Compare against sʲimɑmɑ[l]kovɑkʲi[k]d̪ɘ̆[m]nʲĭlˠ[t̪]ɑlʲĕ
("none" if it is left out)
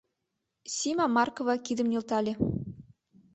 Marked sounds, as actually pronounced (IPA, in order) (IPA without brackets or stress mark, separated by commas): r, none, m, t̪